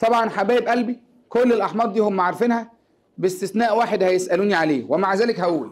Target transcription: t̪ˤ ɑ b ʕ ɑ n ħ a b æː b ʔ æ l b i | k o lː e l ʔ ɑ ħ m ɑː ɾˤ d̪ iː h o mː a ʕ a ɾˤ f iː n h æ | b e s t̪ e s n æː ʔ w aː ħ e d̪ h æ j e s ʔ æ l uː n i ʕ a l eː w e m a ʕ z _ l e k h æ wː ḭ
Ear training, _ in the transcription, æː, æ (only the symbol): æː